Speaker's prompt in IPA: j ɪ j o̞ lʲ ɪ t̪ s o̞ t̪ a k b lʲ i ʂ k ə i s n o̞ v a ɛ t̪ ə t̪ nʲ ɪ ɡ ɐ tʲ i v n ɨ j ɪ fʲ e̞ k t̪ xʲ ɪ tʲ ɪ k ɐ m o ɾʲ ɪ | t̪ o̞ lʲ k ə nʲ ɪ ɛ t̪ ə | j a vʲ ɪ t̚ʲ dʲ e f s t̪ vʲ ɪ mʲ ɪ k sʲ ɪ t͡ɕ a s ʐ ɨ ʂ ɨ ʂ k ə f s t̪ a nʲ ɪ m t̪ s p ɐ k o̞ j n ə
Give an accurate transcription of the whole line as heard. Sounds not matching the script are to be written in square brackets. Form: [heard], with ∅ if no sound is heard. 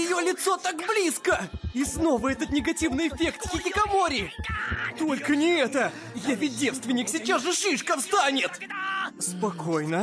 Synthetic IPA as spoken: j ɪ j o̞ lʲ ɪ t̪ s o̞ t̪ a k b lʲ i [s] k ə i s n o̞ v [ə] ɛ t̪ ə t̪ nʲ ɪ ɡ ɐ tʲ i v n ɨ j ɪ fʲ e̞ k t̪ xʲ ɪ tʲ ɪ k ɐ m o ɾʲ ɪ | t̪ o̞ lʲ k ə nʲ ɪ ɛ t̪ ə | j a vʲ ɪ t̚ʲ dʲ e f s t̪ vʲ ɪ [nʲ] ɪ k sʲ ɪ t͡ɕ a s ʐ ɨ ʂ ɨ ʂ k ə f s t̪ a nʲ ɪ [∅] t̪ s p ɐ k o̞ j n ə